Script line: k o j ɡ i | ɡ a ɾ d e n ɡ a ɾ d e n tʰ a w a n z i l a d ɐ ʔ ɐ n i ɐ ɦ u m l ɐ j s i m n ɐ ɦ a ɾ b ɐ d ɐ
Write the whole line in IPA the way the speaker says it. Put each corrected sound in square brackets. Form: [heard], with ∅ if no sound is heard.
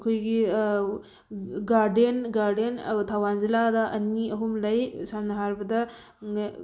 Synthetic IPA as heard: [kʰ] o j ɡ i | ɡ a ɾ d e n ɡ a ɾ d e n tʰ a w a n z i l a d ɐ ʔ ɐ n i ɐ ɦ u m l ɐ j s [a] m n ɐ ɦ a ɾ b ɐ d ɐ